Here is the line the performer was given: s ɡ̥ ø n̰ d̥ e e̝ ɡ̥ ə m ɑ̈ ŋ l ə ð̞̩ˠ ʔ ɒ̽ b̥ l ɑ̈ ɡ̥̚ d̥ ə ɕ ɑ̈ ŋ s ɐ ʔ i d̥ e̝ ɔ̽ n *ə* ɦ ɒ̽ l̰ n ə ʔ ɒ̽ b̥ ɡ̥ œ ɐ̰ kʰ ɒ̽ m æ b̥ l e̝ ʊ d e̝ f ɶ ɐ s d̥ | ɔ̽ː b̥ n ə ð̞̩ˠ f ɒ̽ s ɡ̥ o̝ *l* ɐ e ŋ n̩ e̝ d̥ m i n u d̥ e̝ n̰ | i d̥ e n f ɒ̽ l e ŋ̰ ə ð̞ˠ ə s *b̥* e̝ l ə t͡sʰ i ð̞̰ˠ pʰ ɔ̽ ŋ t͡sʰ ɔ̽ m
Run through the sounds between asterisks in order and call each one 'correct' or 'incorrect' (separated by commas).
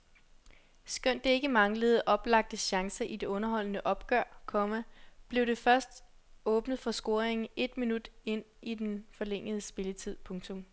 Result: incorrect, incorrect, correct